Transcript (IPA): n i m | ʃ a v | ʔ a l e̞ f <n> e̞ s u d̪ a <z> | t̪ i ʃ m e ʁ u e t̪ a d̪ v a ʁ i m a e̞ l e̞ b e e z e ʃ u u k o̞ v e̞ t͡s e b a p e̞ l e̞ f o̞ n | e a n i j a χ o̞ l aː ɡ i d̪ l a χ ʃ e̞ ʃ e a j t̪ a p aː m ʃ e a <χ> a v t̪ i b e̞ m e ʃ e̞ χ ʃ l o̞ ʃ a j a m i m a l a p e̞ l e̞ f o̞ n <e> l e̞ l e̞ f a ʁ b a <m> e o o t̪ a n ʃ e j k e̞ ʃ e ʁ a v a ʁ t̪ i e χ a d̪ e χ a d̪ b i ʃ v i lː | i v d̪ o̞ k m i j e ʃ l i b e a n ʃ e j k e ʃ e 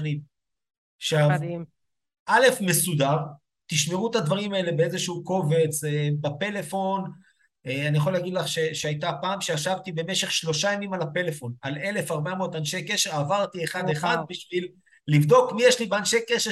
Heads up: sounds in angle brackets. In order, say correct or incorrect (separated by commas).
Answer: incorrect, incorrect, incorrect, incorrect, correct